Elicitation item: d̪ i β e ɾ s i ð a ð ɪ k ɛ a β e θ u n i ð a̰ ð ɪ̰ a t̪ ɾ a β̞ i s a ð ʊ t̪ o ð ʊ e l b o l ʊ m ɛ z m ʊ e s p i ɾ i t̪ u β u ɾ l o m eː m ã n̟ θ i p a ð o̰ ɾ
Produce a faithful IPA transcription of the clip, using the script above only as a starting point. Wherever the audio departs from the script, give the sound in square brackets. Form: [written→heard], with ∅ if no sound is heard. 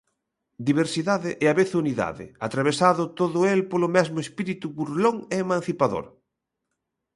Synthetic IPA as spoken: d̪ i β e ɾ s i ð a ð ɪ [k→ʔ] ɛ a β e θ u n i ð a̰ ð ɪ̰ a t̪ ɾ a β̞ [i→e] s a ð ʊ t̪ o ð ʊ e l [b→p] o l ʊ m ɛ z m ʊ e s p i ɾ i t̪ u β u ɾ l o [m→ŋ] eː m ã n̟ θ i p a ð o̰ ɾ